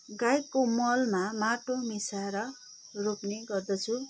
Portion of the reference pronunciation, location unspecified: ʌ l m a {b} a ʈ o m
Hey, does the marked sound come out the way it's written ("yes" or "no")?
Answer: no